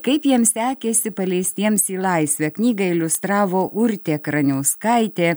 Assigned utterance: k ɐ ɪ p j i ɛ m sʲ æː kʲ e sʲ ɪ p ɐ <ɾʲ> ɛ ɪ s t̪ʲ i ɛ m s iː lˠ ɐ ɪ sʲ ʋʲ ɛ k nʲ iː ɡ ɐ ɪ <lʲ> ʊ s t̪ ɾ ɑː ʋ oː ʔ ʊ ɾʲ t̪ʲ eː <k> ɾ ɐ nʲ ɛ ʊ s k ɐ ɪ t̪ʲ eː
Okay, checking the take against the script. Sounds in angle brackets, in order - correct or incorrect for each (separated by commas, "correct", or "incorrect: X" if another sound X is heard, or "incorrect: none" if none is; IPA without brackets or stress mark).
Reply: incorrect: lʲ, correct, correct